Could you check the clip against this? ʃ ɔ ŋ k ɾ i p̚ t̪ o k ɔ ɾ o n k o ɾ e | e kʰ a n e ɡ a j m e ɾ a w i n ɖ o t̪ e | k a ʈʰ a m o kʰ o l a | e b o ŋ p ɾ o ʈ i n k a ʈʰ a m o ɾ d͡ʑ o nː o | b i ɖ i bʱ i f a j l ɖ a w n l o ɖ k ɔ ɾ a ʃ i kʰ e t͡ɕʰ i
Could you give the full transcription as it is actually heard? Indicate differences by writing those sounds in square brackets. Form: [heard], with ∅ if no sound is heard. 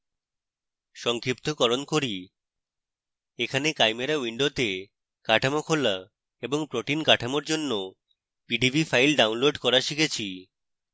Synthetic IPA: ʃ ɔ ŋ k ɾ i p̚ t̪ o k ɔ ɾ o n k o ɾ [i] | e kʰ a n e [k] a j m e ɾ a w i [ɳ] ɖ o t̪ e | k a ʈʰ a m o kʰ o l a | e b o ŋ p ɾ o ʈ i n k a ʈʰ a m o ɾ d͡ʑ o nː o | [p] i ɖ i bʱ i f a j l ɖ a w n l o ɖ k ɔ ɾ a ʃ i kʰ e t͡ɕʰ i